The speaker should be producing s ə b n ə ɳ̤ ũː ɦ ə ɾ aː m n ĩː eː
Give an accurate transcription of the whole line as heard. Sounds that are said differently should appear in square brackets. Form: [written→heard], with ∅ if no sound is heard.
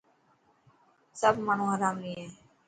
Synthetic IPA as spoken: s ə b [n→m] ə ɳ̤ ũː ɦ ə ɾ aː m n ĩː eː